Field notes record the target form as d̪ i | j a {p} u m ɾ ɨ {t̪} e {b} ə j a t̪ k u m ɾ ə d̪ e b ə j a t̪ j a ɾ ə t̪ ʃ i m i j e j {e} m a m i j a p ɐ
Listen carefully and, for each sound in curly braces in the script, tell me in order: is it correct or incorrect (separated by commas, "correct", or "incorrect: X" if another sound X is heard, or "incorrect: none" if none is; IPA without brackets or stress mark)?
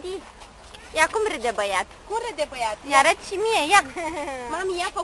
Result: incorrect: k, incorrect: d̪, correct, incorrect: a